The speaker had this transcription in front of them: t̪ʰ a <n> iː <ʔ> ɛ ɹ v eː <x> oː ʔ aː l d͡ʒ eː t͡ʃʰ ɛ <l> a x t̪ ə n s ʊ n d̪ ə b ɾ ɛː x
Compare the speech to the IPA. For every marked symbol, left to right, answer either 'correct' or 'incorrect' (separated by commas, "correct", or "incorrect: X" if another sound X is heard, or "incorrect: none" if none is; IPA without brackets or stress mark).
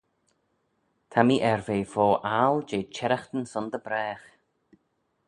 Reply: incorrect: m, correct, incorrect: f, incorrect: ɾ